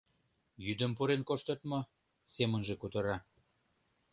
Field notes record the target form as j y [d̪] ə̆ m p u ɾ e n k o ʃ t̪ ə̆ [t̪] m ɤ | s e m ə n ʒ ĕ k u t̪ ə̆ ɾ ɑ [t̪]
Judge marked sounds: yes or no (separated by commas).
yes, yes, no